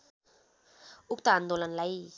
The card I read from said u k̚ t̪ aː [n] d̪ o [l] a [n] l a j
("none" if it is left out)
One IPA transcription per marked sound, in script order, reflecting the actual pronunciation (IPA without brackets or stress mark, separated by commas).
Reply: n, l, n